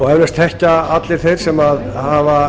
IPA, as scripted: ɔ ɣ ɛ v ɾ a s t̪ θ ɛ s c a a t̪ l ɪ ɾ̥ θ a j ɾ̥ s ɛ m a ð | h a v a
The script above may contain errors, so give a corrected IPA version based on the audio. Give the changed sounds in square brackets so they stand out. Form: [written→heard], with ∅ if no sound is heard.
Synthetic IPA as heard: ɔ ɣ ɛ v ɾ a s t̪ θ ɛ [s→h] c a a t̪ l ɪ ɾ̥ θ [a→e] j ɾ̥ s ɛ m a ð | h a v a